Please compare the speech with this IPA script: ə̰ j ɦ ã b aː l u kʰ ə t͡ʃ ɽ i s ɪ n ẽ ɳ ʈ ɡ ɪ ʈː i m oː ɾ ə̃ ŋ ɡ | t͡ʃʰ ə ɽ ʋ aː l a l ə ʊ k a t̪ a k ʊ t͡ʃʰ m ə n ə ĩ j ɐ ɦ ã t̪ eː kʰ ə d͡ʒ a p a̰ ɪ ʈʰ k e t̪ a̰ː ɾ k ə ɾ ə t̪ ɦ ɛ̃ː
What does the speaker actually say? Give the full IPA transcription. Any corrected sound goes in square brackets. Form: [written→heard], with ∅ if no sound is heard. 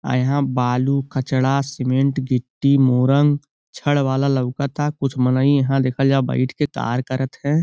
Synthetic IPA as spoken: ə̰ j ɦ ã b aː l u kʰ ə t͡ʃ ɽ [i→a] s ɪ [n→m] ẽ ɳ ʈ ɡ ɪ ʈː i m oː ɾ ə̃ ŋ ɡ | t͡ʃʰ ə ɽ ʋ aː l a l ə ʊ k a t̪ a k ʊ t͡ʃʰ m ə n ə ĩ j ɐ ɦ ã [t̪→d̪] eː kʰ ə d͡ʒ a [p→b] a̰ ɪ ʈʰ k e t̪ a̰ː ɾ k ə ɾ ə t̪ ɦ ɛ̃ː